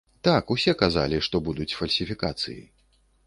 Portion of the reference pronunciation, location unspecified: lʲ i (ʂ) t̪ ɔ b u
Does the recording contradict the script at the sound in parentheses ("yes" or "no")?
no